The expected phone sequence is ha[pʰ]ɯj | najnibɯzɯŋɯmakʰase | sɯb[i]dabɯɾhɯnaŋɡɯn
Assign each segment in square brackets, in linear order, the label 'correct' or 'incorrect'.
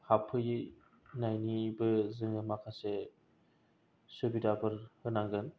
correct, correct

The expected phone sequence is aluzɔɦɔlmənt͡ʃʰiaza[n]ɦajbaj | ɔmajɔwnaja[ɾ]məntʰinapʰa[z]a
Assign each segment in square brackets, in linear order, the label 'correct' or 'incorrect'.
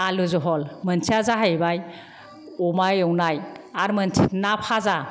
incorrect, correct, correct

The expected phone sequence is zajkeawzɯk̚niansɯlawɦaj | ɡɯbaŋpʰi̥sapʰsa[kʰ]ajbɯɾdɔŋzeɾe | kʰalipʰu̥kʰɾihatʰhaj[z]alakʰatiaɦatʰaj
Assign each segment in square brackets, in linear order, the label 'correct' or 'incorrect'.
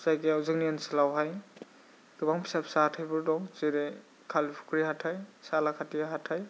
incorrect, incorrect

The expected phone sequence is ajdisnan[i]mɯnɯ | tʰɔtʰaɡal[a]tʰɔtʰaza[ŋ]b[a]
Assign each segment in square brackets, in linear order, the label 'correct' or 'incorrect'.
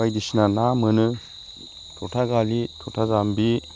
incorrect, incorrect, incorrect, incorrect

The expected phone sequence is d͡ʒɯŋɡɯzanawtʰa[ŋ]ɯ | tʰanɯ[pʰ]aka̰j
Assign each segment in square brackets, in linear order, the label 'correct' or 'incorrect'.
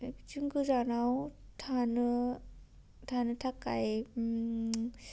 incorrect, incorrect

